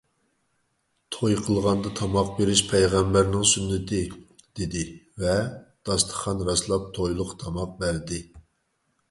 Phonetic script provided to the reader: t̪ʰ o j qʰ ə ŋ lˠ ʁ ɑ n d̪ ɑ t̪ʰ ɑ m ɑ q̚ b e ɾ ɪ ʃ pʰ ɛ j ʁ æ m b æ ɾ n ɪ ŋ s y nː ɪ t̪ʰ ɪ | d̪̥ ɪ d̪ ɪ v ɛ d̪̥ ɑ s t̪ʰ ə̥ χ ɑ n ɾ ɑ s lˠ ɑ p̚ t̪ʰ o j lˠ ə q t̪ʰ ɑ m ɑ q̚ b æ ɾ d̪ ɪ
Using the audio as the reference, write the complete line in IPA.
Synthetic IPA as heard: t̪ʰ o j qʰ ə lˠ ʁ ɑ n d̪ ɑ t̪ʰ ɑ m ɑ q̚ b e ɾ ɪ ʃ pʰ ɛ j ʁ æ m b æ ɾ n ɪ ŋ s y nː ɪ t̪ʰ ɪ | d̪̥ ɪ d̪ ɪ v ɛ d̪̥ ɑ s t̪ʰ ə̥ χ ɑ n ɾ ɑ s lˠ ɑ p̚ t̪ʰ o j lˠ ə q t̪ʰ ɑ m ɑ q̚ b æ ɾ d̪ ɪ